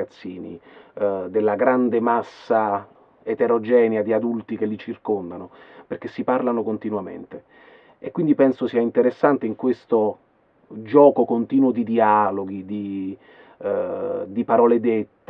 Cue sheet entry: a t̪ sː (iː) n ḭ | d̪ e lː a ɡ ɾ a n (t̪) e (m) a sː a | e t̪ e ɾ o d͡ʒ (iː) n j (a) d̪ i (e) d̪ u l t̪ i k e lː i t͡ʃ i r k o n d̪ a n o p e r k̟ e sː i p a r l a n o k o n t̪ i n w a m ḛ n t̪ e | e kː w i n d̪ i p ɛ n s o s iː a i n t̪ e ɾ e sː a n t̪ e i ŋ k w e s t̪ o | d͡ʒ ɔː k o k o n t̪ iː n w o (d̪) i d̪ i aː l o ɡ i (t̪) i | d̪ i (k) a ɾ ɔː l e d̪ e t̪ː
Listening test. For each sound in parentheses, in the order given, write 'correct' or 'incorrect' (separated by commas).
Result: correct, incorrect, correct, incorrect, correct, incorrect, correct, incorrect, incorrect